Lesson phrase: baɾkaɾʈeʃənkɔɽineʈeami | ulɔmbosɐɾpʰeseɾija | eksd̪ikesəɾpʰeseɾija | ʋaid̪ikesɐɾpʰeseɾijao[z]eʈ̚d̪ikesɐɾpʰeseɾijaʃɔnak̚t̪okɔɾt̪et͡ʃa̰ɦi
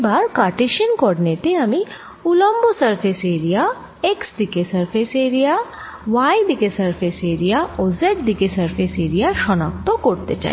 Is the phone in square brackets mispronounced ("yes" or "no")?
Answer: no